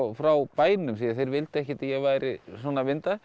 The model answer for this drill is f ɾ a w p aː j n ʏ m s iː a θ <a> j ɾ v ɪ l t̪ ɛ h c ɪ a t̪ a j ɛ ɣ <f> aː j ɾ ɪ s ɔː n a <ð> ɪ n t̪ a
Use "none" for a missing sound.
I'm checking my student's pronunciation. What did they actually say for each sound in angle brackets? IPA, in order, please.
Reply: e, v, v

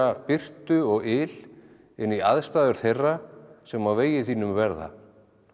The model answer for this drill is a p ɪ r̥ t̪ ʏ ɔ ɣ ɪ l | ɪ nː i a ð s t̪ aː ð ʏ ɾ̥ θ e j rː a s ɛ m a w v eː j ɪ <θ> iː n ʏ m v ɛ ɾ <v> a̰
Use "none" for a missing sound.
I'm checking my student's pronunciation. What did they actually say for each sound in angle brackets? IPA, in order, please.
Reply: θ, ð

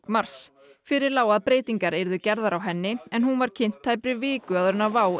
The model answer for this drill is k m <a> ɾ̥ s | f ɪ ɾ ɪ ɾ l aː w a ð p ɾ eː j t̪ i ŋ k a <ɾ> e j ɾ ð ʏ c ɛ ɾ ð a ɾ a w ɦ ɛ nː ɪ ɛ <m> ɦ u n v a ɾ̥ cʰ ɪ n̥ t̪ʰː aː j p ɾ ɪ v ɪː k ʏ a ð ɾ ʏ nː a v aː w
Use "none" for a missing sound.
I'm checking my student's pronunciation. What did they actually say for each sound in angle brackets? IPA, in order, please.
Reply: a, ɾ, n

